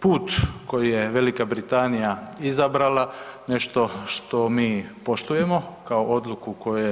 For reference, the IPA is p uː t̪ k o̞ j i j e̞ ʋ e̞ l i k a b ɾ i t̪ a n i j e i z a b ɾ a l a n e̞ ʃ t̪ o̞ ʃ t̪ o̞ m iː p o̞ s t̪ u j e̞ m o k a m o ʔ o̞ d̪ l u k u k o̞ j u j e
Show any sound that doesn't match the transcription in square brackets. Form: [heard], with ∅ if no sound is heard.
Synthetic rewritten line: p uː t̪ k o̞ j i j e̞ ʋ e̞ l i k a b ɾ i t̪ a n i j [a] i z a b ɾ a l a n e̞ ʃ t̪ o̞ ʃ t̪ o̞ m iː p o̞ [ʃ] t̪ u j e̞ m o k a [∅] o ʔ o̞ d̪ l u k u k o̞ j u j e